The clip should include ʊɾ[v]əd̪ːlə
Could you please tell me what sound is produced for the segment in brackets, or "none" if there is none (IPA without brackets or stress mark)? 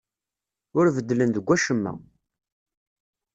v